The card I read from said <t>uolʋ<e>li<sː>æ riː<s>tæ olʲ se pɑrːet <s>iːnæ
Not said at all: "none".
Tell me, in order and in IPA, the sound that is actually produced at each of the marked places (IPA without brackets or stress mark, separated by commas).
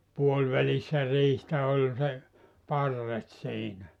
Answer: p, æ, sː, h, s